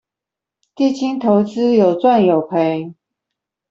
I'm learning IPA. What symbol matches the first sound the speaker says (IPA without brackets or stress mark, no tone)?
t̪